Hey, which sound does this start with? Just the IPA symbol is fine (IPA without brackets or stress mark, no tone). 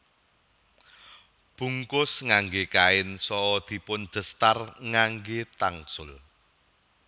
b̥